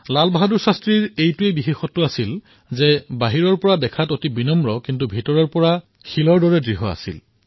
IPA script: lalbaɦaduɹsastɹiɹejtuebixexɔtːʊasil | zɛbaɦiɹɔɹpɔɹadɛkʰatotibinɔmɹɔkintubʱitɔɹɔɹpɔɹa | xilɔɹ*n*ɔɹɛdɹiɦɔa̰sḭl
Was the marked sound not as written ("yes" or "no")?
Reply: yes